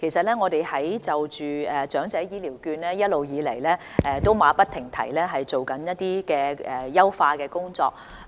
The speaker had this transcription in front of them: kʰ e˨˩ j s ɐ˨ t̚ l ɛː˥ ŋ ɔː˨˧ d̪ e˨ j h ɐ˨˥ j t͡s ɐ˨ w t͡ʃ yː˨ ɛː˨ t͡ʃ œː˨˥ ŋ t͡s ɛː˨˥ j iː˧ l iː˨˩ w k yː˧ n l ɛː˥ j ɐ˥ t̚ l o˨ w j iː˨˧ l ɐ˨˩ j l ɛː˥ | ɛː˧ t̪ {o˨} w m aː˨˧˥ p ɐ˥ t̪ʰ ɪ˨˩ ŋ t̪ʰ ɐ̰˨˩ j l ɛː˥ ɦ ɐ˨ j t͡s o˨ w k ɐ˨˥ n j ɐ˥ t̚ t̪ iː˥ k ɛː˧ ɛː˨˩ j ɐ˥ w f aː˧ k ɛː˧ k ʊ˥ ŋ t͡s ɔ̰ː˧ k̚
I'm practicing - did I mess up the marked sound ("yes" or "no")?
yes